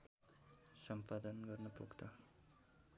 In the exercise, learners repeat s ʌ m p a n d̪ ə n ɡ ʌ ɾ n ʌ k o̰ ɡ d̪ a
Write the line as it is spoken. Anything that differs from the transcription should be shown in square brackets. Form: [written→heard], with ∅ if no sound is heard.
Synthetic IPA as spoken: s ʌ m p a [n→∅] d̪ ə n ɡ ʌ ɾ n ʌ [k→p] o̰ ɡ [d̪→t̪] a